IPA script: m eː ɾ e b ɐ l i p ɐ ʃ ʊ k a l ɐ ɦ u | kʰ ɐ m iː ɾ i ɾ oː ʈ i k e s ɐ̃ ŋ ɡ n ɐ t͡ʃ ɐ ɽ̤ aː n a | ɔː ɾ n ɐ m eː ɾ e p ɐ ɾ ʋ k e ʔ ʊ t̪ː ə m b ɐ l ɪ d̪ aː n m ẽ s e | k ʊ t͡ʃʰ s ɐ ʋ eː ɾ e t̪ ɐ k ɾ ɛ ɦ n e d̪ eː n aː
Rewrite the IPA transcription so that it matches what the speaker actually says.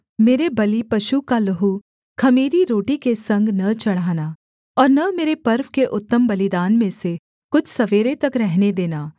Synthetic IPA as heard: m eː ɾ e b ɐ l i p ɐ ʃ u k a l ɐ ɦ u | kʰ ɐ m iː ɾ i ɾ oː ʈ i k e s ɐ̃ ŋ ɡ n ɐ t͡ʃ ɐ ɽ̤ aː n a | ɔː ɾ n ɐ m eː ɾ e p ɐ ɾ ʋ k e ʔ ʊ t̪ː ə m b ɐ l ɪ d̪ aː n m ẽ s e | k ʊ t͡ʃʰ s ɐ ʋ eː ɾ e t̪ ɐ k ɾ ɛ ɦ n e d̪ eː n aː